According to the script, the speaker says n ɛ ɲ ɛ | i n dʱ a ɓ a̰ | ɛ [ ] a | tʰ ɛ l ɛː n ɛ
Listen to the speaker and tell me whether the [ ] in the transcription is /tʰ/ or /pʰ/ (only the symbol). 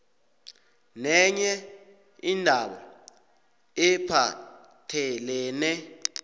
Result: pʰ